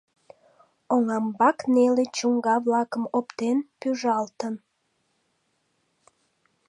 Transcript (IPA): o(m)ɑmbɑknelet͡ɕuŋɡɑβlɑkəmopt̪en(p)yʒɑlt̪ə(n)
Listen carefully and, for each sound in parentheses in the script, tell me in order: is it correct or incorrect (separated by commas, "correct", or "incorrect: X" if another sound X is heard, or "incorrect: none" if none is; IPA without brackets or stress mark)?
incorrect: ŋ, correct, correct